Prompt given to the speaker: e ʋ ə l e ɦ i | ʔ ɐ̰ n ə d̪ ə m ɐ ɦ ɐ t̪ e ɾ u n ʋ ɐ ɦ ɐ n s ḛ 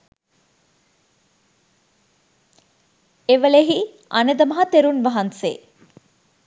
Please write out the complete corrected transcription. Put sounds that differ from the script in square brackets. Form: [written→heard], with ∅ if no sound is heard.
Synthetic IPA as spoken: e ʋ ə l e ɦ i | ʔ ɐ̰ n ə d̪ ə m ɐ ɦ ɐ t̪ e ɾ u n ʋ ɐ ɦ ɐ n s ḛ